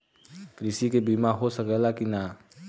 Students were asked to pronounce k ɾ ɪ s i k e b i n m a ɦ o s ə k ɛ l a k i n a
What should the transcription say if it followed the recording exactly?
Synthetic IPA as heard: k ɾ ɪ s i k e b i m a ɦ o s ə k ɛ l a k i n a